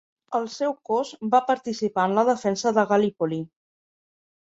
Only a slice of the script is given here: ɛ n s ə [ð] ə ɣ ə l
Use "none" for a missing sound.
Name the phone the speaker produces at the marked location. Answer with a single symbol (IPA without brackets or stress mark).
ð